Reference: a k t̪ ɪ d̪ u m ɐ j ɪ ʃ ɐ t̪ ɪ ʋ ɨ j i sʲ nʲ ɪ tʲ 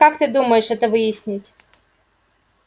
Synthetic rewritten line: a k t̪ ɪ d̪ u m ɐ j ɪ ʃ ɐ t̪ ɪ ʋ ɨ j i sʲ nʲ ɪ tʲ